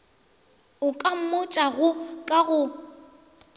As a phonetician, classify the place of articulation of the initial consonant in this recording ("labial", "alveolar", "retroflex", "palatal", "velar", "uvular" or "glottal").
velar